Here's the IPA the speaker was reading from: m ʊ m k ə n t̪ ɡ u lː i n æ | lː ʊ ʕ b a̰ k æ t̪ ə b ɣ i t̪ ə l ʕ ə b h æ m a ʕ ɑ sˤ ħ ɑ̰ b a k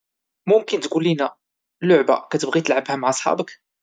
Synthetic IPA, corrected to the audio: m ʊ m k ə n t̪ ɡ u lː i n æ | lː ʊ ʕ b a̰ k æ t̪ ə b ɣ i t̪ ə l ʕ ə b h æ m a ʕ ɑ sˤ ħ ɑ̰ b ə k